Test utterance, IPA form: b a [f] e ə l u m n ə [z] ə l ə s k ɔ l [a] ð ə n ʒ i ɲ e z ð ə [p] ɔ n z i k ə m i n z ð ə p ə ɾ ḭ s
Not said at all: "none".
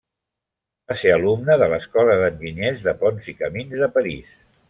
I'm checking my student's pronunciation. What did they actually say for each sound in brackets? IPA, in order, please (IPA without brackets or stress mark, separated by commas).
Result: s, ð, ə, p